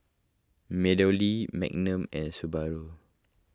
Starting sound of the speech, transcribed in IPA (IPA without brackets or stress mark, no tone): m